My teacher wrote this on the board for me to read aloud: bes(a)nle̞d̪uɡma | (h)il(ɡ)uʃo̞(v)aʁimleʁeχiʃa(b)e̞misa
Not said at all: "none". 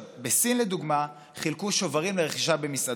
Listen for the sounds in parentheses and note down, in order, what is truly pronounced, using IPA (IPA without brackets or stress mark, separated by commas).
i, χ, k, v, b